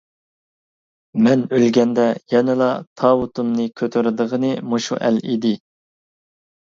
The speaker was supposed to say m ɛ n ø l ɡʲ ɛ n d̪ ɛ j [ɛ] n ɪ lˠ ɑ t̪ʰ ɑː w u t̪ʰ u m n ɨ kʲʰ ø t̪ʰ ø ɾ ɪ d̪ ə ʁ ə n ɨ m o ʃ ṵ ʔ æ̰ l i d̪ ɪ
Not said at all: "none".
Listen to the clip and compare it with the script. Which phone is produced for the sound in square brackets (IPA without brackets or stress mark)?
ɛ